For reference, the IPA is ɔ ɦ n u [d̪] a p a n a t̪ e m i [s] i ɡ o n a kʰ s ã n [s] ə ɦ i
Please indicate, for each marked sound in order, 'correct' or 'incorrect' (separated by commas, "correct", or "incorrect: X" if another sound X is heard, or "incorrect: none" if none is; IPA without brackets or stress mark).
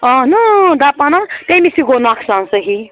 correct, correct, correct